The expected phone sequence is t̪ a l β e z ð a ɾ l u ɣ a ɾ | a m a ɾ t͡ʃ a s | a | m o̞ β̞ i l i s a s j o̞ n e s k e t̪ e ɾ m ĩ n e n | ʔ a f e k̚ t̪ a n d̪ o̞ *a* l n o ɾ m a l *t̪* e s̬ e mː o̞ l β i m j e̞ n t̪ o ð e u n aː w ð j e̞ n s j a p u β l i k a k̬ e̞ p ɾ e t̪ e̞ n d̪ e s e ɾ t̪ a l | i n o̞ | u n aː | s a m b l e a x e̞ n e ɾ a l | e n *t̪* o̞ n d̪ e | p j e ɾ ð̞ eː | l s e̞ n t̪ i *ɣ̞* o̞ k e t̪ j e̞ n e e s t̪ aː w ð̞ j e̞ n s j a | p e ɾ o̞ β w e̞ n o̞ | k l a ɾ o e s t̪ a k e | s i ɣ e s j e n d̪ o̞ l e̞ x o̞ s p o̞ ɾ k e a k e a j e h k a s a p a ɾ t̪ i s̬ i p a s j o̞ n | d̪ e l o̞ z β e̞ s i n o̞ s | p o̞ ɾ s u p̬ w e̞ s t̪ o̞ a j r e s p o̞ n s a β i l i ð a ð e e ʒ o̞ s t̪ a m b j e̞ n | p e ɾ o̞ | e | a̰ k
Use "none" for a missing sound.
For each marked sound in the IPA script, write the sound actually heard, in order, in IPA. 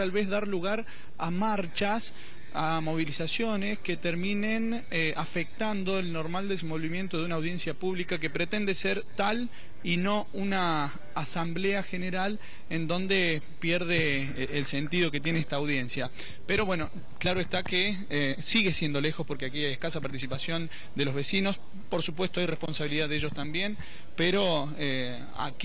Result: e, d̪, d̪, ð̞

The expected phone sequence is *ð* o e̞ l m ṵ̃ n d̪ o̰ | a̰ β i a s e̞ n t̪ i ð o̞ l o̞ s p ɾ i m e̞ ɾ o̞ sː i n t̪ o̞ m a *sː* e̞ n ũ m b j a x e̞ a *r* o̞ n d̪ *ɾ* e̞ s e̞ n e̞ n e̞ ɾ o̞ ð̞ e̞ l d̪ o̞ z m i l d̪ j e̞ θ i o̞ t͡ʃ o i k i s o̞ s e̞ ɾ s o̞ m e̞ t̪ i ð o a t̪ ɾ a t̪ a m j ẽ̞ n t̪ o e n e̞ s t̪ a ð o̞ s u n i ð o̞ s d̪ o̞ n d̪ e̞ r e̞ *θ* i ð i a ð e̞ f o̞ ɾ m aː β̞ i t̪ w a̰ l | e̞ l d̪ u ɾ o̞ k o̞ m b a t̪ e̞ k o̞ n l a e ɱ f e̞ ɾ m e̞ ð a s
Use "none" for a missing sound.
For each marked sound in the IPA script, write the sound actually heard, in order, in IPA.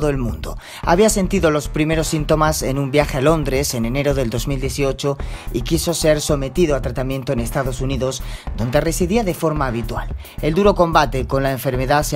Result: ð, s, l, ɾ, s

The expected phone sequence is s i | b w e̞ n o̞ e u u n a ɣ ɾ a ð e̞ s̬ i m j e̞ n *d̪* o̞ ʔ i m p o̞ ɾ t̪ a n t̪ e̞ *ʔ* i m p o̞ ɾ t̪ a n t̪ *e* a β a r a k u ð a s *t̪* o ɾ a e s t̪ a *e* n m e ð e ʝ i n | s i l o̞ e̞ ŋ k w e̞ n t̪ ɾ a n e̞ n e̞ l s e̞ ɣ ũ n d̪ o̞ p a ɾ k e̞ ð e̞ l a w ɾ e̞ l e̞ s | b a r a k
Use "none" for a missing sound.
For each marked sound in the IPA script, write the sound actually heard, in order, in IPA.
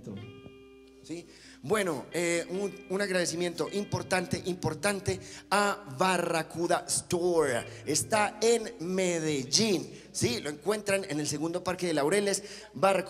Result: t̪, ʔ, e, t̪, e

